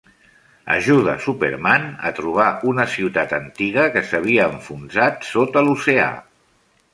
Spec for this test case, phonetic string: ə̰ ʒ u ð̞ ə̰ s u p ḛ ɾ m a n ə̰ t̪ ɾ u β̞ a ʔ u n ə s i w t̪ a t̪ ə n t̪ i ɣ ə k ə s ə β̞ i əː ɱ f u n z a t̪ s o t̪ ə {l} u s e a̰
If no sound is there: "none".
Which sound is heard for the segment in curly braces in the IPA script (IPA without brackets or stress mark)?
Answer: l